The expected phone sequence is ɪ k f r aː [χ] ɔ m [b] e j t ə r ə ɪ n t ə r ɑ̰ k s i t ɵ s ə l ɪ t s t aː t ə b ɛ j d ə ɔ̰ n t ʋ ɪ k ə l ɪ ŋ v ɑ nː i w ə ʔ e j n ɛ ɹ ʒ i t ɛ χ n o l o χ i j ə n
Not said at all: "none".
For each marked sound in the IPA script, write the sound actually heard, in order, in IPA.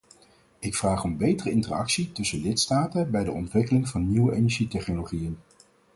χ, b

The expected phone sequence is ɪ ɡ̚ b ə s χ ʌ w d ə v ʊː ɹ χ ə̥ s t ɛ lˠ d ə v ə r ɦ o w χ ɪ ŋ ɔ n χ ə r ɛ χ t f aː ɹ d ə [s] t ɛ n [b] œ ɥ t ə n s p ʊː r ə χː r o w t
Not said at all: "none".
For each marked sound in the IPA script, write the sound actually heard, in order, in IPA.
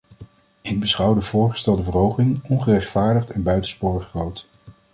χ, b

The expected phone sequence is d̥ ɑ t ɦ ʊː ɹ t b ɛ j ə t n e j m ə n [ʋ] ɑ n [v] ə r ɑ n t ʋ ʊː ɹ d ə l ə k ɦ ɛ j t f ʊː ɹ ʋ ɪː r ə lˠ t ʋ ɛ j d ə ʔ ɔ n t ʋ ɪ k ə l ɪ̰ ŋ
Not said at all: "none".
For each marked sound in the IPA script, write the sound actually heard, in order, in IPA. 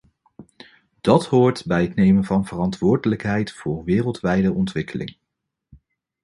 v, v

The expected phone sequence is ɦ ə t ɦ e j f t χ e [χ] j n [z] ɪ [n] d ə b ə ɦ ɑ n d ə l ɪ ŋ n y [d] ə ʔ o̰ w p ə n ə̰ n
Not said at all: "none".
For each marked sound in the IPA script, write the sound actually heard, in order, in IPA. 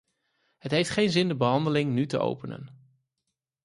none, z, n, t

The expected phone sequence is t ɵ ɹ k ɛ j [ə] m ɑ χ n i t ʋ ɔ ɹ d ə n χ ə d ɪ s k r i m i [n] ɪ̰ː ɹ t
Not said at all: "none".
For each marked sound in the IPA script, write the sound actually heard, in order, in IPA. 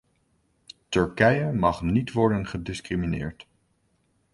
ə, n

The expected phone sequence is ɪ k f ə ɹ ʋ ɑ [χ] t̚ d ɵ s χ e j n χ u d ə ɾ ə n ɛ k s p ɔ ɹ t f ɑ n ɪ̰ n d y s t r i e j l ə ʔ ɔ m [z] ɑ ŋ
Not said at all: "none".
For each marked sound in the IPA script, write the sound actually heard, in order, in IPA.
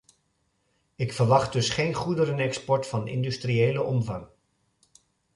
χ, v

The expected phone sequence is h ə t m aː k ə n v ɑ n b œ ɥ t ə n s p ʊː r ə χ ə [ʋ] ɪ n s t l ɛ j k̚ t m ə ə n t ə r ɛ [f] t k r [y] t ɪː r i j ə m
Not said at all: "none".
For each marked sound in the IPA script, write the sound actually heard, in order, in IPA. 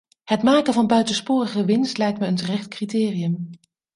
ʋ, χ, i

